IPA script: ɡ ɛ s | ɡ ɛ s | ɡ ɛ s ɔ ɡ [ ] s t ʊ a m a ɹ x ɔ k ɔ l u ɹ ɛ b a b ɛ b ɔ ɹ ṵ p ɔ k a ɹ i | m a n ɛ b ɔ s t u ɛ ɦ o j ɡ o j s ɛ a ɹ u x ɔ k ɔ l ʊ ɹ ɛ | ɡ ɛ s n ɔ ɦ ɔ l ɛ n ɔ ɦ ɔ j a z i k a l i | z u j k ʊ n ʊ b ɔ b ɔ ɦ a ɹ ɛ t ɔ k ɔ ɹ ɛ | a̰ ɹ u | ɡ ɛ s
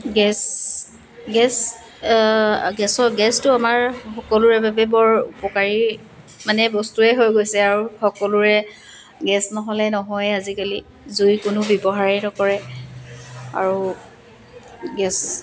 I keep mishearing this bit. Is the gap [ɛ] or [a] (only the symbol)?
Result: ɛ